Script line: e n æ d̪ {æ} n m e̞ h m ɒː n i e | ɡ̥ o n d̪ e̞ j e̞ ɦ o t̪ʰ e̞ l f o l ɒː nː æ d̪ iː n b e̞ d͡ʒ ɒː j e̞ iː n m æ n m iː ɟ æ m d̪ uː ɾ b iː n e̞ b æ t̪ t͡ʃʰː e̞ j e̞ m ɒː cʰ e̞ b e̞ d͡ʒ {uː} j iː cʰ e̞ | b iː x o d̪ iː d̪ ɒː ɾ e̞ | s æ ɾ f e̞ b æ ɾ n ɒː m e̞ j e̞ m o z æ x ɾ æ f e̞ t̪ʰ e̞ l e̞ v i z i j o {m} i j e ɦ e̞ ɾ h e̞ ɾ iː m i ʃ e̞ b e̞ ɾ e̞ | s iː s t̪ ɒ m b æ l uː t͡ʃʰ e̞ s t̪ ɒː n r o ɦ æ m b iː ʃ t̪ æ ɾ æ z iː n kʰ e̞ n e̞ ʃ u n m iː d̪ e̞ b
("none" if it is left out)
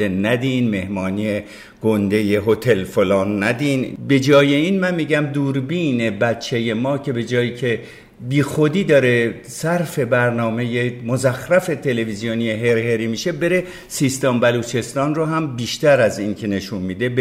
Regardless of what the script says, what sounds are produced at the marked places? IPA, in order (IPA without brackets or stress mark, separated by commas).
i, ɒː, n